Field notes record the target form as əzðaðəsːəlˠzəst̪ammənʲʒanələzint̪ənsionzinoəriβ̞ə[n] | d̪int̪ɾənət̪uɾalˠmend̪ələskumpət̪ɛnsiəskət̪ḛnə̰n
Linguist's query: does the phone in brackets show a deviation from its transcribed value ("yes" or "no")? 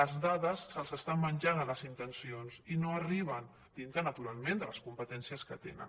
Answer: no